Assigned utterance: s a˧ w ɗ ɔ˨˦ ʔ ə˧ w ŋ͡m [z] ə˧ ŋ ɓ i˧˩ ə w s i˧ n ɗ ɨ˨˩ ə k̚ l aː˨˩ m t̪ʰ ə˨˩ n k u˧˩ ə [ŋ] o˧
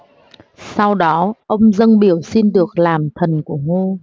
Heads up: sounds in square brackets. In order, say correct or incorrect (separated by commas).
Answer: correct, correct